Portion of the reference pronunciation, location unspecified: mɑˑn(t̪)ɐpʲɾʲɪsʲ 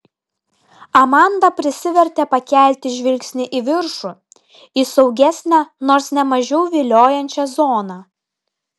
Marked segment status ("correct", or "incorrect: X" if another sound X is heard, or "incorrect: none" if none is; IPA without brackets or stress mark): incorrect: d̪